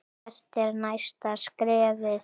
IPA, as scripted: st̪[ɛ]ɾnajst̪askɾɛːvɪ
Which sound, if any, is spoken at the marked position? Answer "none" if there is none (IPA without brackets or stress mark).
ɛ